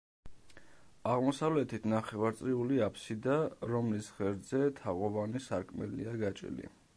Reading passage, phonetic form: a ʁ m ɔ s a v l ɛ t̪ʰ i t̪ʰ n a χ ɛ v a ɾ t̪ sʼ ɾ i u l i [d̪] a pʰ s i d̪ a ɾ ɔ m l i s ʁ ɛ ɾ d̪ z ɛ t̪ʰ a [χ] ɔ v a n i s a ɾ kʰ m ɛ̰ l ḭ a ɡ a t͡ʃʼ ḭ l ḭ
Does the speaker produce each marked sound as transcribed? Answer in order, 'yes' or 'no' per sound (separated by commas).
no, no